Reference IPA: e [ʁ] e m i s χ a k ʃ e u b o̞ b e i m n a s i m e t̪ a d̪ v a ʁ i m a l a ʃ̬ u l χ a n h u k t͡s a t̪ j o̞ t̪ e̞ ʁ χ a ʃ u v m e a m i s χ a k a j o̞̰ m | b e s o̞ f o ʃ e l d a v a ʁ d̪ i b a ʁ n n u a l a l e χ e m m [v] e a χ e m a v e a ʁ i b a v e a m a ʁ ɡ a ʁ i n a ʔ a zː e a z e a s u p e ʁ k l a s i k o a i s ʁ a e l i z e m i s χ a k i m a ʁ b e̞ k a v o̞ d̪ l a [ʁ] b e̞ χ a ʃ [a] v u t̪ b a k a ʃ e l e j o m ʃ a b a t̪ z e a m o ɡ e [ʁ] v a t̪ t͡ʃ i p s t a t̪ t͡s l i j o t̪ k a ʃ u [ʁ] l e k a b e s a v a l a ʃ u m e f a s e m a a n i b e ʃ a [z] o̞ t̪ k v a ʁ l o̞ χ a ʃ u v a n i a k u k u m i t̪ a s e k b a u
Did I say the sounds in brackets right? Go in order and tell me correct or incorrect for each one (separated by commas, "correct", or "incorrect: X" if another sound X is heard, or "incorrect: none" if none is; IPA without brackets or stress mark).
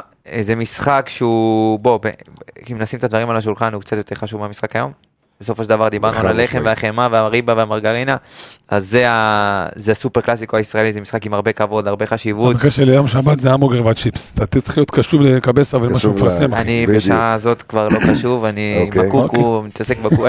incorrect: z, correct, correct, incorrect: i, correct, incorrect: v, correct